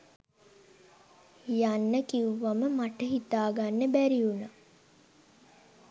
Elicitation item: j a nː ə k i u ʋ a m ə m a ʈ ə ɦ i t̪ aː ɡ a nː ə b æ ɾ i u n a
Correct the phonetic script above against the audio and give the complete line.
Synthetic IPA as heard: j a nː ə k i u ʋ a m ə m a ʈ ə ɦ i t̪ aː ɡ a nː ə b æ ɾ i u n a

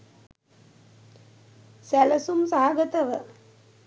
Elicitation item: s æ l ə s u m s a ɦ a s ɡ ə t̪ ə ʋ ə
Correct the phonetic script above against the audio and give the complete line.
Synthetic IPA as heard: s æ l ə s u m s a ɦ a ɡ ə t̪ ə ʋ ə

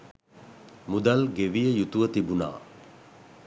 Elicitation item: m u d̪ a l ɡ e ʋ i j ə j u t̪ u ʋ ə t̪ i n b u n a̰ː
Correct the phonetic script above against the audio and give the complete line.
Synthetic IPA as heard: m u d̪ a l ɡ e ʋ i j ə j u t̪ u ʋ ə t̪ i b u n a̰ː

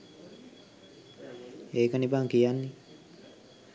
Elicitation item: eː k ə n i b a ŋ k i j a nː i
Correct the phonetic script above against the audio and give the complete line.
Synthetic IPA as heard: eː k ə n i b a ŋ k i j a nː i

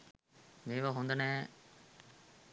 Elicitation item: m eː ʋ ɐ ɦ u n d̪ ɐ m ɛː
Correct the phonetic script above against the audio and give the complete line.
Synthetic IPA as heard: m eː ʋ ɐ ɦ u n d̪ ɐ n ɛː

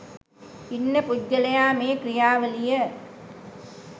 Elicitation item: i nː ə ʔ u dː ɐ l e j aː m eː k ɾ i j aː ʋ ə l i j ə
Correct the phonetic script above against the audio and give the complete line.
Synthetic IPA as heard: i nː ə p u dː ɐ l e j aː m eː k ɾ i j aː ʋ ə l i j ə

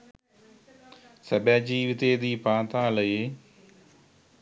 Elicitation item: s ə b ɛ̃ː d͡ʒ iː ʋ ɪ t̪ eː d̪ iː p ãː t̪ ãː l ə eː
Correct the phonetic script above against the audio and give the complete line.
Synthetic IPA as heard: s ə b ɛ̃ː d͡ʒ iː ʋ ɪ t̪ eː d̪ iː p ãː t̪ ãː l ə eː

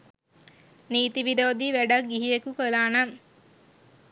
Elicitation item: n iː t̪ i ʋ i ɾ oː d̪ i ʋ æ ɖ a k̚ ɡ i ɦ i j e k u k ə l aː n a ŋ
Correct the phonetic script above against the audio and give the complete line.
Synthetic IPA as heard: n iː t̪ i ʋ i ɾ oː d̪ i ʋ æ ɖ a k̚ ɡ i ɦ i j e k u k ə l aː n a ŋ

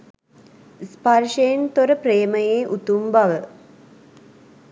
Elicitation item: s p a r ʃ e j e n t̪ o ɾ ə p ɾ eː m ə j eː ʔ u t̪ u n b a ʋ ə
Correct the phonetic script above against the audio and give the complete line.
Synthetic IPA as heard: s p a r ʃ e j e n t̪ o ɾ ə p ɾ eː m ə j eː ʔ u t̪ u m b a ʋ ə

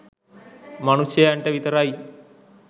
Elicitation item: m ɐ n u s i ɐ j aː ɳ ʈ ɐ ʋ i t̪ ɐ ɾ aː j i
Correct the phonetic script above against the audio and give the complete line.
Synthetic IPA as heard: m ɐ n u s j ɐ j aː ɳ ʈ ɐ ʋ i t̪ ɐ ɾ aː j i

